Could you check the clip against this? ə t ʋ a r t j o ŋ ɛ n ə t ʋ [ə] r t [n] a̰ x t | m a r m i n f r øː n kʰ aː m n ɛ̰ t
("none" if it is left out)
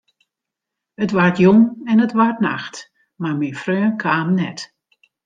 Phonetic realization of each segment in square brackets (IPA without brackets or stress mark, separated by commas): a, n